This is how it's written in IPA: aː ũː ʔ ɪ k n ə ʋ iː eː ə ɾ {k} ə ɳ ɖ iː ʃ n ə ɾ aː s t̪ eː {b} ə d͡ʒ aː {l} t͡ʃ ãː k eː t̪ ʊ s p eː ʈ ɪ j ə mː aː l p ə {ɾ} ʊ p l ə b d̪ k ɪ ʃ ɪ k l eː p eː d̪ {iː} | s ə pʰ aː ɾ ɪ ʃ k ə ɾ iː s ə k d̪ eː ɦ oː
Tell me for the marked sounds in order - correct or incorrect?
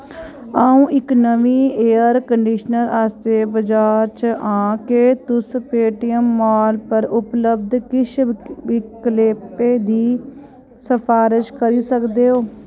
correct, correct, incorrect, correct, correct

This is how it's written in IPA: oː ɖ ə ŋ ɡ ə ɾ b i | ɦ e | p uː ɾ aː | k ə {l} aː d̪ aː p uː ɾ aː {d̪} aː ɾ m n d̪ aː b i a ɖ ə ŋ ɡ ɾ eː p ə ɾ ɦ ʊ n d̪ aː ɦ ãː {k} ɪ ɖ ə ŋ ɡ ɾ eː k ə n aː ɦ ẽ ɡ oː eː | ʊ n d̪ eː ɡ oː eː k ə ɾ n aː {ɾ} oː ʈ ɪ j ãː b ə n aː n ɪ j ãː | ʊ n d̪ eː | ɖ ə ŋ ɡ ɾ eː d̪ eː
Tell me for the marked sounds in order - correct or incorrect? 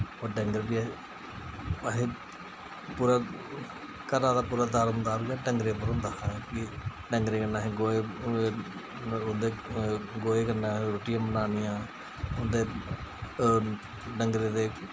incorrect, correct, correct, correct

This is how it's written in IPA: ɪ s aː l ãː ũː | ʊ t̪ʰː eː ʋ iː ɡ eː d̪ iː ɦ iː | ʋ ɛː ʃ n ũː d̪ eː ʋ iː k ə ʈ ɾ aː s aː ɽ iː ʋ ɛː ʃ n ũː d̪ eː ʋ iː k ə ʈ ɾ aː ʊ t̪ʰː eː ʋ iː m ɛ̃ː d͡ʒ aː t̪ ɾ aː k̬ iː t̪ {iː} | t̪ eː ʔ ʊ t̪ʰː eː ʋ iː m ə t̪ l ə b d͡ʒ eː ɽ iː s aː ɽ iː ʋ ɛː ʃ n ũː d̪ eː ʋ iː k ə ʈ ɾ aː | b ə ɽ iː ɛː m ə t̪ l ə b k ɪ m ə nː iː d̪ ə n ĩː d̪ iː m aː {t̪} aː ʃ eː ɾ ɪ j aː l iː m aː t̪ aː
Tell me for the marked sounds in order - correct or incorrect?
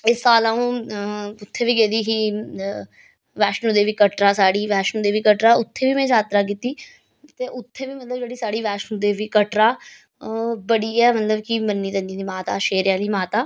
correct, correct

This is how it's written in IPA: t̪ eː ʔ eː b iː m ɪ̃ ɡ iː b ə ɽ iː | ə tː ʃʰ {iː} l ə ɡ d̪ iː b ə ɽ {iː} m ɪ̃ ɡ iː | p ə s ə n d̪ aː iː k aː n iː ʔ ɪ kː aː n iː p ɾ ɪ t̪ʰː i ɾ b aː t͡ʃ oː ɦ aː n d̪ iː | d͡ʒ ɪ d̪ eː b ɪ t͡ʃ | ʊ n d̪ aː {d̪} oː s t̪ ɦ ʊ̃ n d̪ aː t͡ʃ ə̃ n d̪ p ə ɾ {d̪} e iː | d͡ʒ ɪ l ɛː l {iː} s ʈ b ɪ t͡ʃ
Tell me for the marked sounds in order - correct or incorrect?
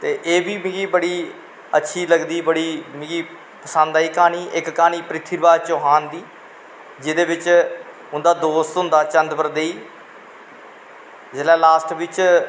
correct, correct, correct, correct, incorrect

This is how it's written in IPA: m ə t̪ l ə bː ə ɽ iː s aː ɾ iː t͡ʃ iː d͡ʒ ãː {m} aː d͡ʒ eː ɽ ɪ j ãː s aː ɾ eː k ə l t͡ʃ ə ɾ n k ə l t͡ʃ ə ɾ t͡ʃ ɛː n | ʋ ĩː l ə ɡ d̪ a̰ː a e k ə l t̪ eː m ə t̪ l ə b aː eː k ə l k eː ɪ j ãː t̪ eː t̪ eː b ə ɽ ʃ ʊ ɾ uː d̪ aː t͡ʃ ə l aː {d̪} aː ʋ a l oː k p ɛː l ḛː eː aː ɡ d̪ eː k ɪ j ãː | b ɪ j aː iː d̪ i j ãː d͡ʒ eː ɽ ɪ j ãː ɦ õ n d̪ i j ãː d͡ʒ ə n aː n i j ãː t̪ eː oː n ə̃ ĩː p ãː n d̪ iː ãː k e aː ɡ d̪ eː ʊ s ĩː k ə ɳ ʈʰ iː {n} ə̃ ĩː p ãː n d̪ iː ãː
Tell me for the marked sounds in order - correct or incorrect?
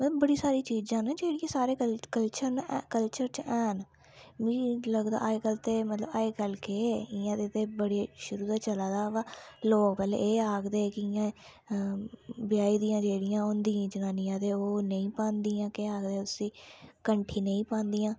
incorrect, correct, correct

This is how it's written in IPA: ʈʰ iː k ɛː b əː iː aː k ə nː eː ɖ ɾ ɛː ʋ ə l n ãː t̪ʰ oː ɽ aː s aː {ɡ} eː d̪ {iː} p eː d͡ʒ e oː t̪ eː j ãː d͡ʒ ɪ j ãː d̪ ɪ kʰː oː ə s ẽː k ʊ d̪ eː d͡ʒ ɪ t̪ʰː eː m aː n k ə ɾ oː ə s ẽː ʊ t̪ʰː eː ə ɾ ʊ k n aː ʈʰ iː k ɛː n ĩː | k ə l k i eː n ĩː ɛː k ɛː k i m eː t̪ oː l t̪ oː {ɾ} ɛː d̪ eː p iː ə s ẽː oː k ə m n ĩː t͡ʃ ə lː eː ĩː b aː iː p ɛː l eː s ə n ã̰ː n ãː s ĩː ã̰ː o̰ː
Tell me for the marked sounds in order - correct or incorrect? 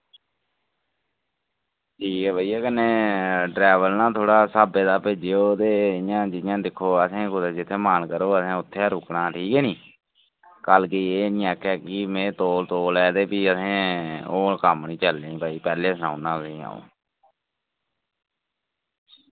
incorrect, incorrect, incorrect

